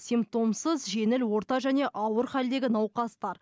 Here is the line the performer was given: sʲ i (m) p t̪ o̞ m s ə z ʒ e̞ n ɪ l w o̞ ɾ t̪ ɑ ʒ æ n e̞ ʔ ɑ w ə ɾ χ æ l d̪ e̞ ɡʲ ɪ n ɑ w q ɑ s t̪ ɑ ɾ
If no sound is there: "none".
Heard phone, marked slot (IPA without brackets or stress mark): m